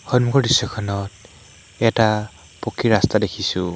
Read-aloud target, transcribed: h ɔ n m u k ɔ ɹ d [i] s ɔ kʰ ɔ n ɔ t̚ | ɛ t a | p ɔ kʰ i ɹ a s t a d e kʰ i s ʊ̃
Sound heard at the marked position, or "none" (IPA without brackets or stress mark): i